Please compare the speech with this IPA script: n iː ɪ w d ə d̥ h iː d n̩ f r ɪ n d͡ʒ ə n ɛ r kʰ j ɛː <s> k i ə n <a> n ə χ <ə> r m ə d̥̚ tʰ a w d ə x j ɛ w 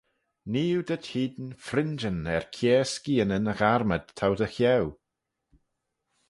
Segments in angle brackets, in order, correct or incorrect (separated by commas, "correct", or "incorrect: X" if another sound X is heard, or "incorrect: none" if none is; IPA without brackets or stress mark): correct, incorrect: ə, incorrect: a